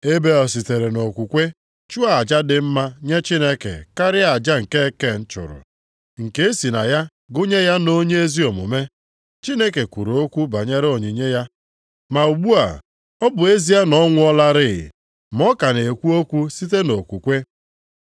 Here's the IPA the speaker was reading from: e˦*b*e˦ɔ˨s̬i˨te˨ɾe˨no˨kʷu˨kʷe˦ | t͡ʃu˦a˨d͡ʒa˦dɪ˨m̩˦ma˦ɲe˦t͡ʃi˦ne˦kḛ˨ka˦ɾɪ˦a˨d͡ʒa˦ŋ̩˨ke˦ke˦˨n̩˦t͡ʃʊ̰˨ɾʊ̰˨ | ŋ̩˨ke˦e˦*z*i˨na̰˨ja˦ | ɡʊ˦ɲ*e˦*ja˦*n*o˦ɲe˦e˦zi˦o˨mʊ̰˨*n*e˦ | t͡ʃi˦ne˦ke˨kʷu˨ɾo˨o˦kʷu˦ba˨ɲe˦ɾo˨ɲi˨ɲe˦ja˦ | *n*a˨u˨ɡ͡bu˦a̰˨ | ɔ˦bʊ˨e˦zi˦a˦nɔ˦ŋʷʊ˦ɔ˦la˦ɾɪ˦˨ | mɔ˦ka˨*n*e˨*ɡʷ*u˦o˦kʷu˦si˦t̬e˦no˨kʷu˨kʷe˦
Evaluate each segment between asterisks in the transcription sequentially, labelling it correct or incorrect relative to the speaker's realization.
correct, incorrect: s, correct, correct, incorrect: m, incorrect: m, correct, incorrect: kʷ

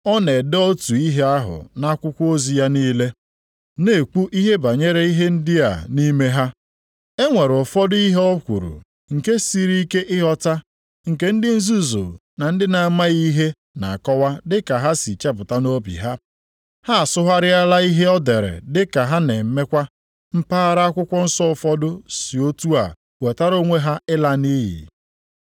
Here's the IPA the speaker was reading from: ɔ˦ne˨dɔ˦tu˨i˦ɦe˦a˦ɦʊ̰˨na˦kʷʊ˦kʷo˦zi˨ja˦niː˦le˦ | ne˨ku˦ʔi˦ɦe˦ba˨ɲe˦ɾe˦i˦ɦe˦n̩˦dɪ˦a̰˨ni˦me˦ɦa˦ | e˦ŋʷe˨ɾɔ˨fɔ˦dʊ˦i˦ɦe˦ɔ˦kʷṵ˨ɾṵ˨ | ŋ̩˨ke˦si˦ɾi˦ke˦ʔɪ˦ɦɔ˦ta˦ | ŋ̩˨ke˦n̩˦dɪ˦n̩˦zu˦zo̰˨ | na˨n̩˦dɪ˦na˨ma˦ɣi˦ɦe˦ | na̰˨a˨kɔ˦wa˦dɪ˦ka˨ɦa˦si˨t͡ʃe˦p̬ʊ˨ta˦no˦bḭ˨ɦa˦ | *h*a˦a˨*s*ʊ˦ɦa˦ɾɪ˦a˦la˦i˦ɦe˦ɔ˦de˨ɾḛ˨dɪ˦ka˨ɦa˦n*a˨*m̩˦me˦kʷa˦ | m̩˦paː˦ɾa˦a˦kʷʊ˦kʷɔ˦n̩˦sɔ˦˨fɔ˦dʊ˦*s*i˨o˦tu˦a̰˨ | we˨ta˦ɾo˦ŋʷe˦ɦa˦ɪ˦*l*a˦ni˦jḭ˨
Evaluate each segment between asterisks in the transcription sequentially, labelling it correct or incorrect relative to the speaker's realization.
correct, correct, incorrect: e˨, correct, correct

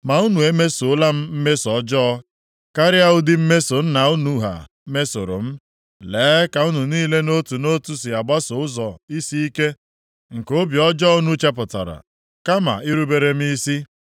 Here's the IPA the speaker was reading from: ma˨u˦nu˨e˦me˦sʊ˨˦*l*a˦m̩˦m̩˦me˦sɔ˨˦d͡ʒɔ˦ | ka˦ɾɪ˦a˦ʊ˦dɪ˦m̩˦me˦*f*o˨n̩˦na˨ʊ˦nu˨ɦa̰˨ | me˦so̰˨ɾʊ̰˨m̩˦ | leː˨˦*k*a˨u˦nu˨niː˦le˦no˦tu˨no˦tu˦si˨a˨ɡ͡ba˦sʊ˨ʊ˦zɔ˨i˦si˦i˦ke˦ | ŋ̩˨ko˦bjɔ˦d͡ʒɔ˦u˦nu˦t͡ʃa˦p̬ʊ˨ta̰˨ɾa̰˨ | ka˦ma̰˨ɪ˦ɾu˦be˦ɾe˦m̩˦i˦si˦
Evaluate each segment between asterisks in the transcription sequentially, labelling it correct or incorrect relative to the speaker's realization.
correct, incorrect: s, correct

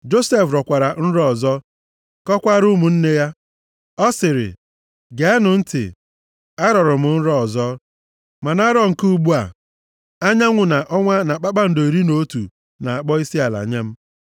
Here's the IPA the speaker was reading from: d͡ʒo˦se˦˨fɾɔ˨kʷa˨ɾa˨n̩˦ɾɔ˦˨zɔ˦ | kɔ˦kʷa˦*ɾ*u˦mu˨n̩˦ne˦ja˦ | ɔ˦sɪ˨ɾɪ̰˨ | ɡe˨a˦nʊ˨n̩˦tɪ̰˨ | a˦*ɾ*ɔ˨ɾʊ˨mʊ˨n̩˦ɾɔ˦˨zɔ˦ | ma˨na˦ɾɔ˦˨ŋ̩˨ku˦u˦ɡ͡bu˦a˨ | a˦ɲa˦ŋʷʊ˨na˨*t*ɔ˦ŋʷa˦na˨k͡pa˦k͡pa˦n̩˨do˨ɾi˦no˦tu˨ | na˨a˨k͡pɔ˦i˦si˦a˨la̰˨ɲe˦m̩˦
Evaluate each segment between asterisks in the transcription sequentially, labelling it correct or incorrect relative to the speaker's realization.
correct, correct, incorrect: ʔ

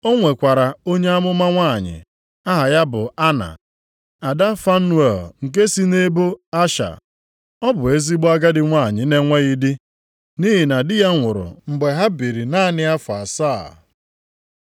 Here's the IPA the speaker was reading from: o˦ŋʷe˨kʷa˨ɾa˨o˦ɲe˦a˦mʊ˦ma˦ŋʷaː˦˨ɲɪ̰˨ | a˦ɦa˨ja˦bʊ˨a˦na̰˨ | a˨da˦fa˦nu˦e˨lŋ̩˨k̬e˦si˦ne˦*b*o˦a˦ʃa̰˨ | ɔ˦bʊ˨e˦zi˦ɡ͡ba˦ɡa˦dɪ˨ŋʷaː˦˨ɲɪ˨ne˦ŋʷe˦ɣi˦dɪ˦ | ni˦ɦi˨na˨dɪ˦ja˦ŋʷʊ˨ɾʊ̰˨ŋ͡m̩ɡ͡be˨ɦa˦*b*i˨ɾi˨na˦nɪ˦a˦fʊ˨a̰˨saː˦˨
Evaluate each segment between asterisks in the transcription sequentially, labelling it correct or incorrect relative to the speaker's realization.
correct, correct

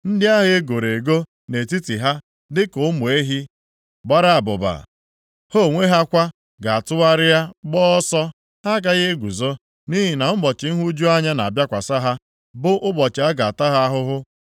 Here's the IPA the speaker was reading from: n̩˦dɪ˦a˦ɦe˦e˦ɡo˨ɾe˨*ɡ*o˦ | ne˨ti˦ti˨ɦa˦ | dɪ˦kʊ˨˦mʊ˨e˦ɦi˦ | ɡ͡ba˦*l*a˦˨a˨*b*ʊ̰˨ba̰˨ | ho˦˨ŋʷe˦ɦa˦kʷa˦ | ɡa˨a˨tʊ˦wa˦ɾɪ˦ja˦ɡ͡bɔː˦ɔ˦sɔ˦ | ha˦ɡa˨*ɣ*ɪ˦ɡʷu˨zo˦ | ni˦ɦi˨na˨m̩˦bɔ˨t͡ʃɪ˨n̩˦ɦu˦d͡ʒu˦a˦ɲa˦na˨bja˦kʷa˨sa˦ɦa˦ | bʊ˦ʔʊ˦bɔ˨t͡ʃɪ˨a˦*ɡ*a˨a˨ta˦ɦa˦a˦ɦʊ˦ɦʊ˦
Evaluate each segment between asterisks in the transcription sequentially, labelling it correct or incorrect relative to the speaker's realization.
correct, incorrect: ɾ, correct, correct, correct

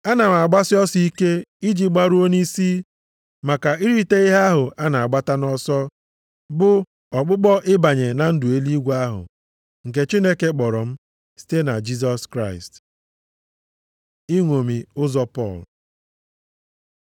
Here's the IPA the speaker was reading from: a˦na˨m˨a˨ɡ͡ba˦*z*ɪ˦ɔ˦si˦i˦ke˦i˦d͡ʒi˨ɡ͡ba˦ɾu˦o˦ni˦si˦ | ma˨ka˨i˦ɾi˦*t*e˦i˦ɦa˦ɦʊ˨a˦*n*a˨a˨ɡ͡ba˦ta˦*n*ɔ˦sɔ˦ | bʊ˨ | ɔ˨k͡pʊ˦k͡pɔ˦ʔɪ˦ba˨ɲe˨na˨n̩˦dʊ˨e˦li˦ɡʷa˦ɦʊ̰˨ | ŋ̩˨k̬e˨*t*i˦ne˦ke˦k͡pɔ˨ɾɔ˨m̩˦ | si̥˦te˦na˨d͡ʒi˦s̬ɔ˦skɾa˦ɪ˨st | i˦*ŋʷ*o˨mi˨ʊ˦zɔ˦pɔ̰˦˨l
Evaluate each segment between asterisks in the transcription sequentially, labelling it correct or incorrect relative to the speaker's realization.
incorrect: s, correct, correct, correct, incorrect: t͡ʃ, correct

